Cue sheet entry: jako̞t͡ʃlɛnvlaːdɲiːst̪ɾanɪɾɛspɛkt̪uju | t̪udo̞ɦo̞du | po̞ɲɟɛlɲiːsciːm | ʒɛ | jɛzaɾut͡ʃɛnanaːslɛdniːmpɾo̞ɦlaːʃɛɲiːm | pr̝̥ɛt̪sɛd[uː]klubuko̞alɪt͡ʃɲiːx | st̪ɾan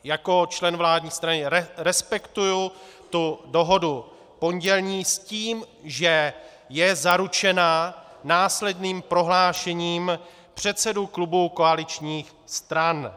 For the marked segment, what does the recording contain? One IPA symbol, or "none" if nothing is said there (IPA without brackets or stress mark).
u